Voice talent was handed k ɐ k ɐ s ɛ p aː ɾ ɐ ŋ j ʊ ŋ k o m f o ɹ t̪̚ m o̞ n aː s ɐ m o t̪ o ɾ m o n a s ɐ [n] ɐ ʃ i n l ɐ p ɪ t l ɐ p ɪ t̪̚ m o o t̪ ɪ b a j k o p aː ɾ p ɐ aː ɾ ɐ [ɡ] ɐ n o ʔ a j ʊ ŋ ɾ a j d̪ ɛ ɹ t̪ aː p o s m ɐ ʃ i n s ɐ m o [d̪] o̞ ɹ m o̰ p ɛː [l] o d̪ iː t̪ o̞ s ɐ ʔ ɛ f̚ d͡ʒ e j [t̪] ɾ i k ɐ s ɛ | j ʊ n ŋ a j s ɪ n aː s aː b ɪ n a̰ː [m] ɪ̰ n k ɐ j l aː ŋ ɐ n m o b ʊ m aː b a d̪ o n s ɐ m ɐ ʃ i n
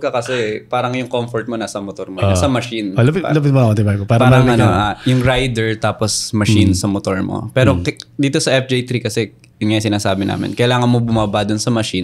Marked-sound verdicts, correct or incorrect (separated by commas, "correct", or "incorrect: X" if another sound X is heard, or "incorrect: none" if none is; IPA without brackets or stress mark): incorrect: m, incorrect: ŋ, incorrect: t̪, incorrect: ɾ, correct, correct